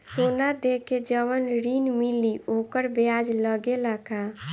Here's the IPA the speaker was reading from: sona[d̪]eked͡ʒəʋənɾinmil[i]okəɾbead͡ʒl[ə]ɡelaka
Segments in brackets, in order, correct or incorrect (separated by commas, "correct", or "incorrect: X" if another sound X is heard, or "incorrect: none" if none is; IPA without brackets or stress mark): correct, correct, correct